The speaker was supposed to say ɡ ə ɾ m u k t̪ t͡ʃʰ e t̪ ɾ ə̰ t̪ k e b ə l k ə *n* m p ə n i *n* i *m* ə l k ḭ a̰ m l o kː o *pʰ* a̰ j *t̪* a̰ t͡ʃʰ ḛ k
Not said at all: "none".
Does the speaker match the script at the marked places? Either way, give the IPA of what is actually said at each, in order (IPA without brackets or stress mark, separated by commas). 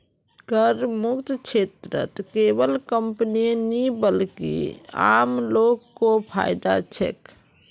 none, n, b, pʰ, d̪